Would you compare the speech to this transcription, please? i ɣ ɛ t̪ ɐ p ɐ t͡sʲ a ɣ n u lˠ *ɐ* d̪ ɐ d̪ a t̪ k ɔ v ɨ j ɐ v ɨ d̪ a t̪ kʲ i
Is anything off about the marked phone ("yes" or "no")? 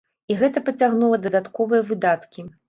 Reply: no